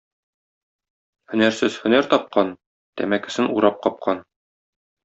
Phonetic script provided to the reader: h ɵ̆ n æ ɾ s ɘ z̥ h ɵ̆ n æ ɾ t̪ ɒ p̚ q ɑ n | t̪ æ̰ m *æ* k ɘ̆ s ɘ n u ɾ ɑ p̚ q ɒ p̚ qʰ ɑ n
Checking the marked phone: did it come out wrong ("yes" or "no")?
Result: no